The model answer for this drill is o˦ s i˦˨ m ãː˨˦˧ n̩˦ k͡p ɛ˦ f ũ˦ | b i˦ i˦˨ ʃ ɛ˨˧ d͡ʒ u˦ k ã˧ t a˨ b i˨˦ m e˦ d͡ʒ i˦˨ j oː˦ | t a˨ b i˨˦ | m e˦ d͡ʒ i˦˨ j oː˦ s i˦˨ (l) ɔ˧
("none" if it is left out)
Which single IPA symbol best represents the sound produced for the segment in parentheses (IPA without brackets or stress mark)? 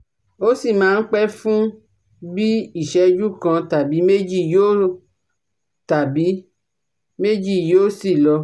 l